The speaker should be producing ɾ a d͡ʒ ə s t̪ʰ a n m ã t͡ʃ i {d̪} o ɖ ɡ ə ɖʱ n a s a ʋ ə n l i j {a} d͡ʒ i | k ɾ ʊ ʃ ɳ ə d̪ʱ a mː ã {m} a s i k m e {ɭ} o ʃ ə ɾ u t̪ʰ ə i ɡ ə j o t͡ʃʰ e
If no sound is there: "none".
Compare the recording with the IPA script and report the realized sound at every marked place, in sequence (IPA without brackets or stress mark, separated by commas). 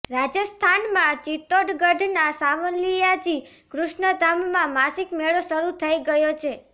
t̪, a, m, ɭ